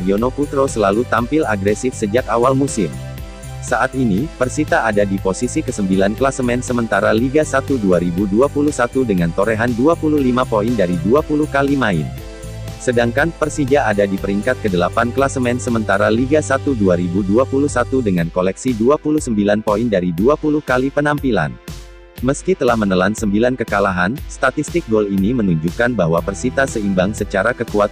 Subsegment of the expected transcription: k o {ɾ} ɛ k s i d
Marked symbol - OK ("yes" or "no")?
no